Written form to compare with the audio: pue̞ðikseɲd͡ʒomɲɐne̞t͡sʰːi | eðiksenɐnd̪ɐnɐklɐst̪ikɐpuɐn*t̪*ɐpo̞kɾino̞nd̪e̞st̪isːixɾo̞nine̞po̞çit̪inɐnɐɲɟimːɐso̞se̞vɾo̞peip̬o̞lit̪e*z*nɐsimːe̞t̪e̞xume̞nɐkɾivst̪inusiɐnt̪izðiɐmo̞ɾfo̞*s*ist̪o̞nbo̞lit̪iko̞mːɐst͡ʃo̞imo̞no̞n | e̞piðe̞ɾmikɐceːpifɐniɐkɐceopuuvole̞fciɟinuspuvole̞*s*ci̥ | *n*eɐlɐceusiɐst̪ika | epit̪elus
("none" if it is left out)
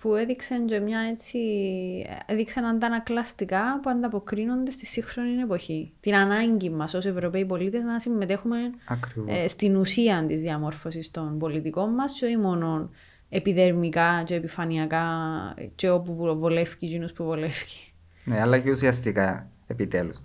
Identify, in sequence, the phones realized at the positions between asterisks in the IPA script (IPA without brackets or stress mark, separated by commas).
d̪, z, s, f, n